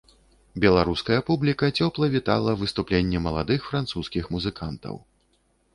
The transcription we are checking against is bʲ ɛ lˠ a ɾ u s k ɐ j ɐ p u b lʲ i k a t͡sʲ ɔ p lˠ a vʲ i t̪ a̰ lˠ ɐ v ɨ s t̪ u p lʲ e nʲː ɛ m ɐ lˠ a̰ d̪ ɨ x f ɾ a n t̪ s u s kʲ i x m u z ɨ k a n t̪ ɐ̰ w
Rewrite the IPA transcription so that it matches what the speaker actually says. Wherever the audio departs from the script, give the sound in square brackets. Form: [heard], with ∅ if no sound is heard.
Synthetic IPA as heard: bʲ ɛ lˠ a ɾ u s k ɐ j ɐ p u b lʲ i k [ɐ] t͡sʲ ɔ p lˠ [ɐ] vʲ i t̪ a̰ lˠ ɐ v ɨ s t̪ u p lʲ e nʲː ɛ m ɐ lˠ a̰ d̪ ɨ x f ɾ a n t̪ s u s kʲ i x m u z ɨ k a n t̪ ɐ̰ w